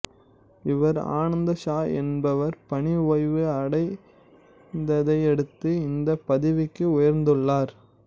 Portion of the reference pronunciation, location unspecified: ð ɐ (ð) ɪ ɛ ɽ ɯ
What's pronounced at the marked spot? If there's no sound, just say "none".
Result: none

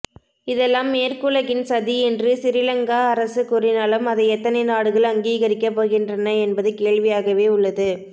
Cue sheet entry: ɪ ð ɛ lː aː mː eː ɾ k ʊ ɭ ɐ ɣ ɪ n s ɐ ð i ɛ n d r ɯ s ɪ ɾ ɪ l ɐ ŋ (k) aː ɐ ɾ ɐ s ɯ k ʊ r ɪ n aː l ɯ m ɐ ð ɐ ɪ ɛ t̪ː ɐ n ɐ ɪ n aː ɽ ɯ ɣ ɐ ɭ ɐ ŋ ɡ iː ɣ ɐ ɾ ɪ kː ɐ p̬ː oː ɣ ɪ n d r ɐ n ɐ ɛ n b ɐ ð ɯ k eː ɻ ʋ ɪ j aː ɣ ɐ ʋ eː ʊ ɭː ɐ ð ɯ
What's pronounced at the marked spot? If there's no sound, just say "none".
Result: ɡ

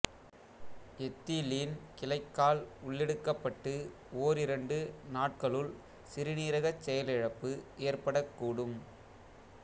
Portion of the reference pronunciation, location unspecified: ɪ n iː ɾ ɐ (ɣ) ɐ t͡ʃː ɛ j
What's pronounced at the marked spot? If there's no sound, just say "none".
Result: ɣ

